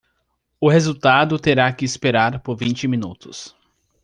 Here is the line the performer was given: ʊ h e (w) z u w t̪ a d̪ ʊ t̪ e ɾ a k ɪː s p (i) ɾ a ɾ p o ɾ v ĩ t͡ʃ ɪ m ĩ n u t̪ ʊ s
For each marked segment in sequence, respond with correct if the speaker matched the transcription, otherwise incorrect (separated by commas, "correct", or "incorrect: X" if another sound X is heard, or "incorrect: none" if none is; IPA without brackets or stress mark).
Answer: incorrect: none, incorrect: e